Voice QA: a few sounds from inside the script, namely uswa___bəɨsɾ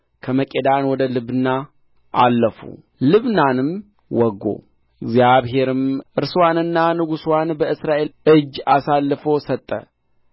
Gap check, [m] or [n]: n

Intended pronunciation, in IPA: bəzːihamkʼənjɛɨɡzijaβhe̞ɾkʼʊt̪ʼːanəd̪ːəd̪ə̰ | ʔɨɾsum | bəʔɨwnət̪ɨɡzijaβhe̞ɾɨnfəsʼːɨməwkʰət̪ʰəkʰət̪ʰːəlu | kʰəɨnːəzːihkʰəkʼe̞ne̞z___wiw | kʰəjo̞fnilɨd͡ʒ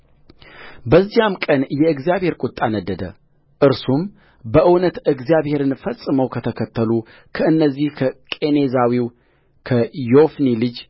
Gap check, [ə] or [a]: a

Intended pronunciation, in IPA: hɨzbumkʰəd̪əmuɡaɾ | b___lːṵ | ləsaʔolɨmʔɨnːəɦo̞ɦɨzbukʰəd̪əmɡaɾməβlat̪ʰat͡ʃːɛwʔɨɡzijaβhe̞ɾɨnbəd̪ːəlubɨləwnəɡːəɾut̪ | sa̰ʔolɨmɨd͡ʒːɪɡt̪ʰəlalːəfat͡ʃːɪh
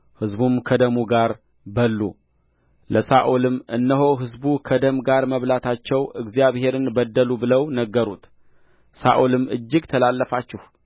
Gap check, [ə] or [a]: ə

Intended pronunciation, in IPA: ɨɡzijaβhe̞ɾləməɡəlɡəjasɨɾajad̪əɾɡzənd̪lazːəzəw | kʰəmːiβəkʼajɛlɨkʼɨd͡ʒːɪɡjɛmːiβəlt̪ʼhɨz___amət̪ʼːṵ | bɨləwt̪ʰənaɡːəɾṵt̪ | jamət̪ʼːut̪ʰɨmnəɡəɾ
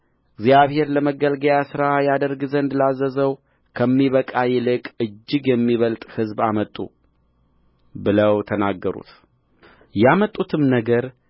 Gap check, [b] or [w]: b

